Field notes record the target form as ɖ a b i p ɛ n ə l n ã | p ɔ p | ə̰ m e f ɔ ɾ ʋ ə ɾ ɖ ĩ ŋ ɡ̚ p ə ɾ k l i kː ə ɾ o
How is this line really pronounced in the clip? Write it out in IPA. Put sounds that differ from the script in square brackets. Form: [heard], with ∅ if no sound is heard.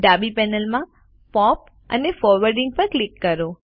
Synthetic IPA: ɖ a b i p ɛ n ə l [m] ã | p ɔ p | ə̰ [n] e f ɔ ɾ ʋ ə ɾ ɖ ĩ ŋ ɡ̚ p ə ɾ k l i kː ə ɾ o